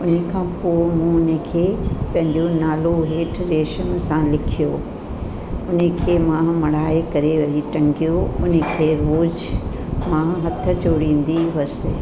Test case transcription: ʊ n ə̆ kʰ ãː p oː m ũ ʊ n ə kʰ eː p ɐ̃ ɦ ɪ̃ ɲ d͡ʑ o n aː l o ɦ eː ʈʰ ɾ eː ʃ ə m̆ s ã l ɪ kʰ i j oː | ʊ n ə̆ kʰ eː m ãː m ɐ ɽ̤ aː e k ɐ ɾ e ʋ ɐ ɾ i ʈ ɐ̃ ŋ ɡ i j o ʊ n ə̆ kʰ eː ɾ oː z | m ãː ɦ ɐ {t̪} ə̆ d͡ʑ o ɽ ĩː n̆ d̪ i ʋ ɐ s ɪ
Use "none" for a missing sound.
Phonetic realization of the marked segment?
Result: t̪ʰ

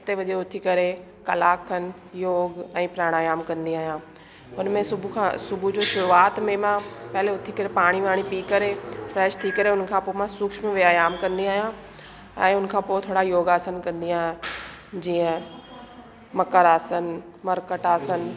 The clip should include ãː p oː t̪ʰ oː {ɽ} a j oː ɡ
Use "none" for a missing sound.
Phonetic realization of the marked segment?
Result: ɽ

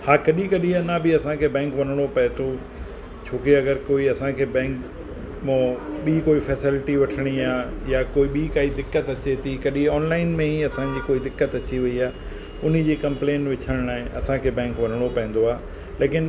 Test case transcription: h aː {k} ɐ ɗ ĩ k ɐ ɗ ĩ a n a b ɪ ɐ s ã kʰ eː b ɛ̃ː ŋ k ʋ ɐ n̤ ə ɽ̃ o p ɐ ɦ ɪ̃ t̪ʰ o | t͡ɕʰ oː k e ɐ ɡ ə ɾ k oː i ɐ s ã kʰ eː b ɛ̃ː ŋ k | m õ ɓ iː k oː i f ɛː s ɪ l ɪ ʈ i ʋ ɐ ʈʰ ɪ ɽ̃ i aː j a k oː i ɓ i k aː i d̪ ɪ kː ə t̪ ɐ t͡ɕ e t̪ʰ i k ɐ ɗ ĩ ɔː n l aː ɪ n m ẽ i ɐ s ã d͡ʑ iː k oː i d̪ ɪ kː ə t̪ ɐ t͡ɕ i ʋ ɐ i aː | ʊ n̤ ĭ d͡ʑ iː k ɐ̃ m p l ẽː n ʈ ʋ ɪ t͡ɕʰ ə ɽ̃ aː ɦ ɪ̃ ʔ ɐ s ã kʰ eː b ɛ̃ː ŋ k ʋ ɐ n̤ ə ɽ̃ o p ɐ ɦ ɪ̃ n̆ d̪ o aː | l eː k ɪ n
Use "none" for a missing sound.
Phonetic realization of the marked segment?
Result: k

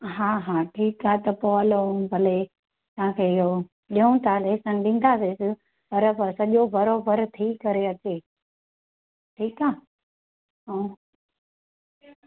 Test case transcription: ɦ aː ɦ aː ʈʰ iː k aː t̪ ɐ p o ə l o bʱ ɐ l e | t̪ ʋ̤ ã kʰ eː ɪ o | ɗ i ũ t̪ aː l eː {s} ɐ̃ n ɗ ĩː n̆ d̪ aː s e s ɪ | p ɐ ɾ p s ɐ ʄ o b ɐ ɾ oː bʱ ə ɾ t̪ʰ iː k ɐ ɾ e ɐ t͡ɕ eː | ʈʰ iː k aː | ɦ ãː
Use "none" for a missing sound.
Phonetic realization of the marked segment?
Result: s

